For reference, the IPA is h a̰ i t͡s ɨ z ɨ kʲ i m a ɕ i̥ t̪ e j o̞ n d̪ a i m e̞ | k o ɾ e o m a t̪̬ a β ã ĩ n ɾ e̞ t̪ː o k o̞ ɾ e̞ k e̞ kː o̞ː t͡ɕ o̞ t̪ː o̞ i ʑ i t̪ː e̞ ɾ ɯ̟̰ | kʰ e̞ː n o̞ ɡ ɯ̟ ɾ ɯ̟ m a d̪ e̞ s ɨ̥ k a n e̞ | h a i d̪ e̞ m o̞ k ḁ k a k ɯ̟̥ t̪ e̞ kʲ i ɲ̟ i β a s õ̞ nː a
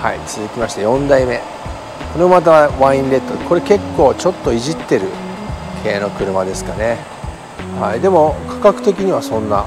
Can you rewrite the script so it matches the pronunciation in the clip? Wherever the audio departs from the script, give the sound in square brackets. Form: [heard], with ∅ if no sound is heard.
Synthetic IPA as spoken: h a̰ i t͡s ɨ z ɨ kʲ i m a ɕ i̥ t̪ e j [õ̞] n d̪ a i m e̞ | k o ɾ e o m a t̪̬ a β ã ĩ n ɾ e̞ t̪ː o k o̞ ɾ e̞ k e̞ kː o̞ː t͡ɕ o̞ t̪ː o̞ i ʑ i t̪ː e̞ ɾ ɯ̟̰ | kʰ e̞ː n o̞ [k] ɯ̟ ɾ ɯ̟ m a d̪ e̞ s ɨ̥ k a n e̞ | h a i d̪ e̞ m o̞ k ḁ k a k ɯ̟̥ t̪ e̞ kʲ i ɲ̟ i β a s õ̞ nː a